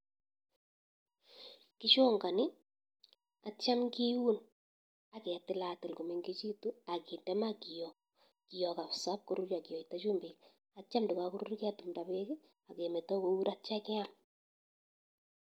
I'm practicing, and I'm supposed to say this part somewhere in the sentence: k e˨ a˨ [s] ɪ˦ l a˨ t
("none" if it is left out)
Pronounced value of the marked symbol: t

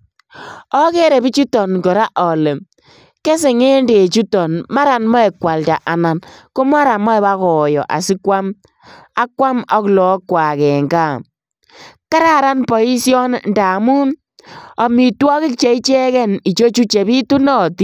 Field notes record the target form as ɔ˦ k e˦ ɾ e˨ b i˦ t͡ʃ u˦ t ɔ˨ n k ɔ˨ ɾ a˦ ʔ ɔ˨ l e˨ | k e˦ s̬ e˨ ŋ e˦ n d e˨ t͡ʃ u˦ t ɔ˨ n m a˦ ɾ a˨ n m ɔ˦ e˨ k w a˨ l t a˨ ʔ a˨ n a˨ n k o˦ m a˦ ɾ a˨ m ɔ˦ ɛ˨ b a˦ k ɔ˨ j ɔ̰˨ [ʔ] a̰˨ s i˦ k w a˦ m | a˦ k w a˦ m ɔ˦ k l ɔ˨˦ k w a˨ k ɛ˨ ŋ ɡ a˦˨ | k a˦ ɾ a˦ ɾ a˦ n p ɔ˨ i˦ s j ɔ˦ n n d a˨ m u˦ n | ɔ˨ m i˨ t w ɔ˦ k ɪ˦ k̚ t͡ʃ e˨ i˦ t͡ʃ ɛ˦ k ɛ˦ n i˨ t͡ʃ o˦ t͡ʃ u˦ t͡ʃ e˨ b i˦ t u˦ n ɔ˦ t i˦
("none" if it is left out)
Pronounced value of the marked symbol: ʔ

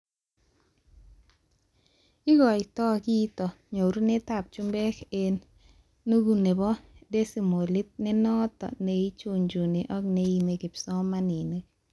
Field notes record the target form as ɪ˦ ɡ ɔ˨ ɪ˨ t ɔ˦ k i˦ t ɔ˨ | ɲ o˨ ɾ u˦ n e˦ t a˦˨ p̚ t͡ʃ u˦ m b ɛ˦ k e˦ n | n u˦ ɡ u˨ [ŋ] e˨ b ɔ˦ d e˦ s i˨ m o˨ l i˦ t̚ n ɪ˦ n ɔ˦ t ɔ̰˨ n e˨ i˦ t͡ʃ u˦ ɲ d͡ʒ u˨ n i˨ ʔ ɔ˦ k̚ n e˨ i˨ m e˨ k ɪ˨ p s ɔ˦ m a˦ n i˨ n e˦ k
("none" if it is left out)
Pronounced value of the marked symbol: n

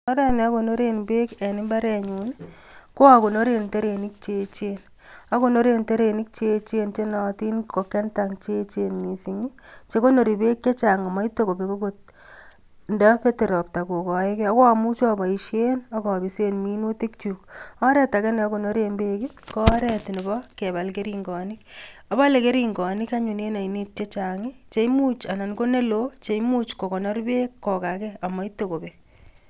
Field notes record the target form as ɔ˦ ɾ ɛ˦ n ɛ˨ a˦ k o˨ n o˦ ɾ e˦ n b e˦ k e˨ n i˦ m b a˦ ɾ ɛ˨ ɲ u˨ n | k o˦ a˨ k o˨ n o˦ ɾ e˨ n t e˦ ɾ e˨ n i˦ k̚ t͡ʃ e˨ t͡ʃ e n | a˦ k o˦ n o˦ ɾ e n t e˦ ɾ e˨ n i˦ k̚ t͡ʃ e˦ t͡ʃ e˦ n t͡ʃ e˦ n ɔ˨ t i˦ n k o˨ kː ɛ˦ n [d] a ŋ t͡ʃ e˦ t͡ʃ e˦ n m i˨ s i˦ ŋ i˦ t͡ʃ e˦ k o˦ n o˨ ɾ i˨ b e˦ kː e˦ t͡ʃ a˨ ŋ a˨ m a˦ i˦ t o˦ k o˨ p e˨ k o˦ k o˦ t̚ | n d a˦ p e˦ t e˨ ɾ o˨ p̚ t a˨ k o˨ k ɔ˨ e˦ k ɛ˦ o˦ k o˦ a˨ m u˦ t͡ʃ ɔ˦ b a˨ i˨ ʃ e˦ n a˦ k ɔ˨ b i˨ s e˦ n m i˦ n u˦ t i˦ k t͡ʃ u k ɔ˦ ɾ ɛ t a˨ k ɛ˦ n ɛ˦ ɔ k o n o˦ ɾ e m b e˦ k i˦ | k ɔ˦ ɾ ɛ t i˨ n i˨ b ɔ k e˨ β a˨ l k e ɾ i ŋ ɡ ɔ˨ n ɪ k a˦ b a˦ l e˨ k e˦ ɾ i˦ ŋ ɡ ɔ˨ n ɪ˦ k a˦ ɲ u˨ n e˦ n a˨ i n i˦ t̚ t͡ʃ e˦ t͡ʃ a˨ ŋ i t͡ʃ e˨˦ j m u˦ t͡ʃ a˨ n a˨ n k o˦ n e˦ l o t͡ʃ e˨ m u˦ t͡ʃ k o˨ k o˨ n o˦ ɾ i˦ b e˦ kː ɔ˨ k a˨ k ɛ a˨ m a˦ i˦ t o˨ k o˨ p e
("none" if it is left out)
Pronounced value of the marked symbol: t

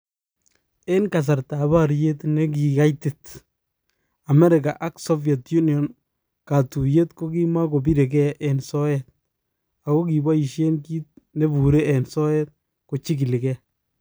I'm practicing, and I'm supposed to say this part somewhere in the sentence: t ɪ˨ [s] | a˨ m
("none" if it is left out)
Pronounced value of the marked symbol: t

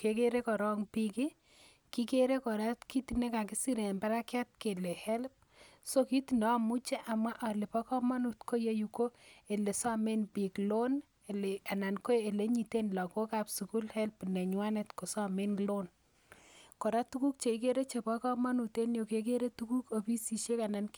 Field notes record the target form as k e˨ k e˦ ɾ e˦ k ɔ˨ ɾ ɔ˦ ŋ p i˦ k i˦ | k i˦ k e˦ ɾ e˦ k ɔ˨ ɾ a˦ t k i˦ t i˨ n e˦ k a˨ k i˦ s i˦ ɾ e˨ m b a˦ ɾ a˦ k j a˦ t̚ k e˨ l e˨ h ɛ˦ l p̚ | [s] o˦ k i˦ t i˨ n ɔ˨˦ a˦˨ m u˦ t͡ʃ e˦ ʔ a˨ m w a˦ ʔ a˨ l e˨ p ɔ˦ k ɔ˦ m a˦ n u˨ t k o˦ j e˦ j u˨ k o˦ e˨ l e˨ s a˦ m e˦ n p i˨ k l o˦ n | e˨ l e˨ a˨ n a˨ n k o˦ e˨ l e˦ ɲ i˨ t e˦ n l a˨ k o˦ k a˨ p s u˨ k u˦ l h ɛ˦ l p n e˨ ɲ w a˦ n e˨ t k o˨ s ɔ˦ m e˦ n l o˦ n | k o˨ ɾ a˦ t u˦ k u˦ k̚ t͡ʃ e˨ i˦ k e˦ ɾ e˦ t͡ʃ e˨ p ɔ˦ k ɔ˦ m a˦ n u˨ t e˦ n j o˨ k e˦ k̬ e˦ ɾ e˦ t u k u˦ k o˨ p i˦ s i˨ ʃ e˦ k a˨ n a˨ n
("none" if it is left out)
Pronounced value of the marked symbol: s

